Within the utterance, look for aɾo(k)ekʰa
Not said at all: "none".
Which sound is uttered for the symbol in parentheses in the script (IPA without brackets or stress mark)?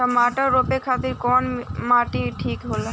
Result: p